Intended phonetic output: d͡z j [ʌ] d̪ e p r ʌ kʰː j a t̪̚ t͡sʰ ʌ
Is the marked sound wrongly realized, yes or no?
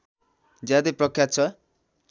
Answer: yes